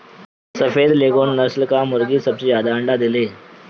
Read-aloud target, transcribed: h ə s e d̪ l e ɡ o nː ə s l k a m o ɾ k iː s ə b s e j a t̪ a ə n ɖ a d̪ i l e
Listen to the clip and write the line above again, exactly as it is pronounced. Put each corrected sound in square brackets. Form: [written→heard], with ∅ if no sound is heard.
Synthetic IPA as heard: [h→s] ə [s→f] e d̪ l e ɡ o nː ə s l k a m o ɾ [k→ɡ] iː s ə b s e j a [t̪→d̪] a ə [n→ɳ] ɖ a d̪ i l e

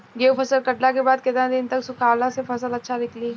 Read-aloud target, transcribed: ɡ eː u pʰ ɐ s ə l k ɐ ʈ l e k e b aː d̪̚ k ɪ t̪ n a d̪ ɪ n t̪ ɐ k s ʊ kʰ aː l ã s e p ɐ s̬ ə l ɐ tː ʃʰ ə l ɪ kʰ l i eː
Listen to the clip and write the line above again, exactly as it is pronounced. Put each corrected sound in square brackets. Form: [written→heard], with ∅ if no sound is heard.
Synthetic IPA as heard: ɡ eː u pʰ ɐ s ə l k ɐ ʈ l [e→a] k e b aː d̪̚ k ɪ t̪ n a d̪ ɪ n t̪ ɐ k s ʊ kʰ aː l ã s e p ɐ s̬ ə l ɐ tː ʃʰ [ə→a] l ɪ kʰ l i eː

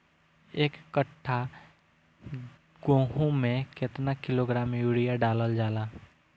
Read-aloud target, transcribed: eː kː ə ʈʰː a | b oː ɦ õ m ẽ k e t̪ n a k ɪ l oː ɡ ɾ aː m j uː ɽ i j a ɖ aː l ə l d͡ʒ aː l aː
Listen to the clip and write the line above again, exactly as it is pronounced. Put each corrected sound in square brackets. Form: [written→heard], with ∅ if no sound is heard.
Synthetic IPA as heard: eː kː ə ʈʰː a | [b→ɡ] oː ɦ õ m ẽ k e t̪ n a k ɪ l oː ɡ ɾ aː m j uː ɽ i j a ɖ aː l ə l d͡ʒ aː l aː

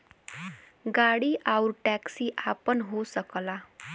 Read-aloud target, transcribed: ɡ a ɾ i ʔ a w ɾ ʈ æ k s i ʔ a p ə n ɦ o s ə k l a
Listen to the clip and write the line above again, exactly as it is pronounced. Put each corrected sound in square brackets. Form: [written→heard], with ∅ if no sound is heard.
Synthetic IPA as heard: ɡ a [ɾ→ɽ] i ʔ a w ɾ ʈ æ k s i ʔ a p ə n ɦ o s ə k l a

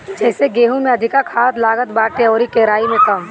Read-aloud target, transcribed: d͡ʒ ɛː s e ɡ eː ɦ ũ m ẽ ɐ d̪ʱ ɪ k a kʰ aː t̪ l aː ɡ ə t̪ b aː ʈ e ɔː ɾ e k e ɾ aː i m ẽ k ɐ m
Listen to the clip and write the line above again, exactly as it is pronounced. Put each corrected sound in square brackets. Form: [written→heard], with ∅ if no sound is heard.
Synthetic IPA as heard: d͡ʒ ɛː s e ɡ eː ɦ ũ m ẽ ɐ d̪ʱ ɪ k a kʰ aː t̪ l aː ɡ ə t̪ b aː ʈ e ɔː ɾ [e→i] k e ɾ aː i m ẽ k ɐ m

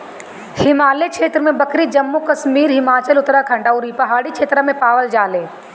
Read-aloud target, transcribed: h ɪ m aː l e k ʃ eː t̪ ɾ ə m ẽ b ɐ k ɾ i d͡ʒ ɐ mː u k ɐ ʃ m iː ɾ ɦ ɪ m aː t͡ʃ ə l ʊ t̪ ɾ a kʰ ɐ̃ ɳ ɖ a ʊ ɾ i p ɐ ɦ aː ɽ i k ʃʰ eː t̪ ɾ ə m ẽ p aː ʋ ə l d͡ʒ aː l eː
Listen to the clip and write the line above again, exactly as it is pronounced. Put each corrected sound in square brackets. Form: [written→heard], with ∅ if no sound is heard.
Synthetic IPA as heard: h ɪ m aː l e k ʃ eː t̪ ɾ ə m ẽ b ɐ k ɾ i d͡ʒ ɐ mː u k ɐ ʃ m iː ɾ ɦ ɪ m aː t͡ʃ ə l ʊ t̪ ɾ a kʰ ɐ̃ ɳ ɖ a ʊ ɾ i p ɐ ɦ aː ɽ i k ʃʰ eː t̪ ɾ ə m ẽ p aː ʋ ə l d͡ʒ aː l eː

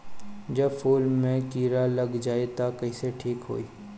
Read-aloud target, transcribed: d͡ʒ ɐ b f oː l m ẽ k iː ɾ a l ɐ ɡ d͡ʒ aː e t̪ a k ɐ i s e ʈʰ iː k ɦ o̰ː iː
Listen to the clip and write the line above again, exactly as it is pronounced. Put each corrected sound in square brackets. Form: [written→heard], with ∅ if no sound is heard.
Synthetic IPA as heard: d͡ʒ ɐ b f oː l m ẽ k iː ɾ a l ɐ ɡ d͡ʒ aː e t̪ a k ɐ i s e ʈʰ iː k ɦ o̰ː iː

